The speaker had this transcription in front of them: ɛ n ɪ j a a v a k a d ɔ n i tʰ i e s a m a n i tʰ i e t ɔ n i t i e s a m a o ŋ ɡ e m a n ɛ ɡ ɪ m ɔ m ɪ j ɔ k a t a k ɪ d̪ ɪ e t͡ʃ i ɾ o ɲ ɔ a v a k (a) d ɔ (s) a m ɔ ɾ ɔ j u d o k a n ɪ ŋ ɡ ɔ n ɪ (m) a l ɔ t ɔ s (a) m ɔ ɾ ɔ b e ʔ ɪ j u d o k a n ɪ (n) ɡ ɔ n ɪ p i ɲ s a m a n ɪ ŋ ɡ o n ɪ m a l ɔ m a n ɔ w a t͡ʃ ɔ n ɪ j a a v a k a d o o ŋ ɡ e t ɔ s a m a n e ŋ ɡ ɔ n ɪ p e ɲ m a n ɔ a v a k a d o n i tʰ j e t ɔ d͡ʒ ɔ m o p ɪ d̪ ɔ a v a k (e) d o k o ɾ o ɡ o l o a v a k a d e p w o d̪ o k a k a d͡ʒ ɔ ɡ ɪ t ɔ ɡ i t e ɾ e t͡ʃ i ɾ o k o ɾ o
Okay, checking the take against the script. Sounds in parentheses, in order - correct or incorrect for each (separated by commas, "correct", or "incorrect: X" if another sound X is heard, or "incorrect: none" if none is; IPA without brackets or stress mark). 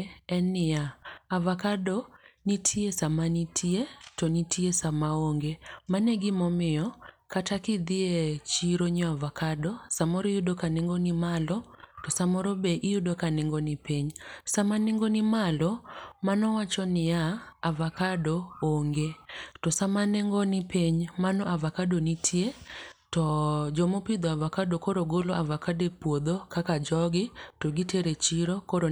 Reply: correct, correct, correct, correct, incorrect: ŋ, incorrect: a